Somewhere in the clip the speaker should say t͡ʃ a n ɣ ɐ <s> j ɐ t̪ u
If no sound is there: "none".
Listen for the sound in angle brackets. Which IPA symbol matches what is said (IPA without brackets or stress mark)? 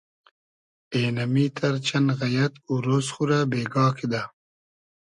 none